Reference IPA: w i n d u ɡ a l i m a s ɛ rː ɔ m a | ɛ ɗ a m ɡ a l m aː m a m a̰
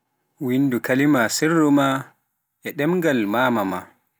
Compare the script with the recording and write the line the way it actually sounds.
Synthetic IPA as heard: w i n d u k a l i m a s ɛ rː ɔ m a | ɛ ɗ ɛ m ɡ a l m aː m a m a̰